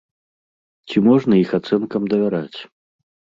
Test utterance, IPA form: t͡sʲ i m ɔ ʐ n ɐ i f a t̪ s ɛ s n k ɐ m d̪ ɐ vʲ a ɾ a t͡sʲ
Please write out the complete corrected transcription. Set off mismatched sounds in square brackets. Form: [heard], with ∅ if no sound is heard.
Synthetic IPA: t͡sʲ i m ɔ ʐ n ɐ i [x] a t̪ s ɛ [∅] n k ɐ m d̪ ɐ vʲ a ɾ a t͡sʲ